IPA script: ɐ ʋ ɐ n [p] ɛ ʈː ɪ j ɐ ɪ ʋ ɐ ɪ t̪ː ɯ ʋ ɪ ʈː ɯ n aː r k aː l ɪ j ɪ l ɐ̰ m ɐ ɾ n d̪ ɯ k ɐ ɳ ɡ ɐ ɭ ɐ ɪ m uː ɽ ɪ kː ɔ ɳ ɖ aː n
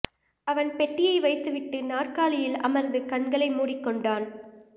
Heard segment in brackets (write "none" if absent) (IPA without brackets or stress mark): p